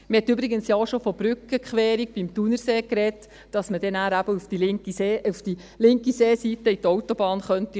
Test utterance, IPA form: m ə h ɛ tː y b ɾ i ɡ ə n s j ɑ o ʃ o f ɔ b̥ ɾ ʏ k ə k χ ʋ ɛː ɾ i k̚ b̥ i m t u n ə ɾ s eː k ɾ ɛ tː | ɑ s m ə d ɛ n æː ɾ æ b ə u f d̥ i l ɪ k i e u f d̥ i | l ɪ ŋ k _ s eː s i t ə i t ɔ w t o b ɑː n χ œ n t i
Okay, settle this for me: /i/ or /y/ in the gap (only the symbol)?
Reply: i